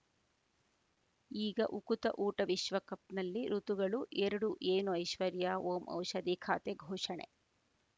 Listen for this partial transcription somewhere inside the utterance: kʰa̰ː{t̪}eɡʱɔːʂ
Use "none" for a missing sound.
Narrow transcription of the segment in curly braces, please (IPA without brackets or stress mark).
t̪